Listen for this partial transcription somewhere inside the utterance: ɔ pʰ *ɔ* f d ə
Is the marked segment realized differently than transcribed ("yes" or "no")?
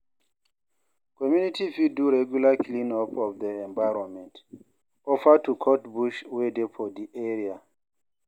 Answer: no